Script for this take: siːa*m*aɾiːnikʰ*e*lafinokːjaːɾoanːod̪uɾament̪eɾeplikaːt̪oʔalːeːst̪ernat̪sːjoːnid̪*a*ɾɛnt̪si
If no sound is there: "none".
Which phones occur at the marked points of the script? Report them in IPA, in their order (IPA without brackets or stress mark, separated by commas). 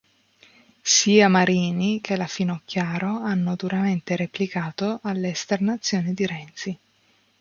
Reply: m, e, i